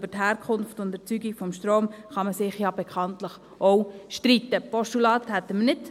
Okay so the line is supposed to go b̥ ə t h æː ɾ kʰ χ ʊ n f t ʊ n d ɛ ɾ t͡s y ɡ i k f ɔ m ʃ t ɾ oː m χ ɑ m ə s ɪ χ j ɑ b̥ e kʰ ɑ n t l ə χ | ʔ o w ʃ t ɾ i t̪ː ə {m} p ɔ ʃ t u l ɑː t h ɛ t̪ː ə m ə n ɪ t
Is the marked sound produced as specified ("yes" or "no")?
no